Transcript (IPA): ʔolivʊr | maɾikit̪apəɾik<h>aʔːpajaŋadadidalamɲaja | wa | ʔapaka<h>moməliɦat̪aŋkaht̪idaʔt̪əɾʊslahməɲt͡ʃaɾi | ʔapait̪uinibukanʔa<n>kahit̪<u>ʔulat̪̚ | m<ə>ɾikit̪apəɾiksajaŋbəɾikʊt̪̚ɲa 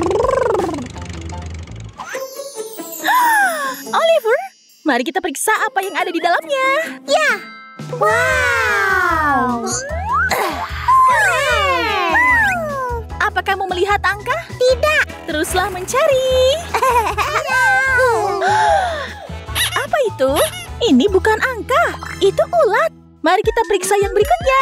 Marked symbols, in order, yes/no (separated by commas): no, yes, no, yes, no